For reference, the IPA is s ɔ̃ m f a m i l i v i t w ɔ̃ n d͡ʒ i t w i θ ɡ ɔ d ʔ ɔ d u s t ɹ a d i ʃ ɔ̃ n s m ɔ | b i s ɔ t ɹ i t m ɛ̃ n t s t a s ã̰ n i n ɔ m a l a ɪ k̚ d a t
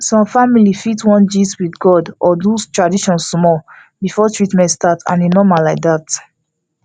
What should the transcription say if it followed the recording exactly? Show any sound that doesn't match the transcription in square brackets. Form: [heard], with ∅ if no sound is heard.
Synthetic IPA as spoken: s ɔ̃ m f a m i l i [f] i t w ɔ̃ n d͡ʒ i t w i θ ɡ ɔ d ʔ ɔ d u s t ɹ a d i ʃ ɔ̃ n s m ɔ | b i [f] ɔ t ɹ i t m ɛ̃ n t s t a [t] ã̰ n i n ɔ m a l a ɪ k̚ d a t